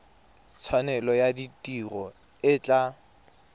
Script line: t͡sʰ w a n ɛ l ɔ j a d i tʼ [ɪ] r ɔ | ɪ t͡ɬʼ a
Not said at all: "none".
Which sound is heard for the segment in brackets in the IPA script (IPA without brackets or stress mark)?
i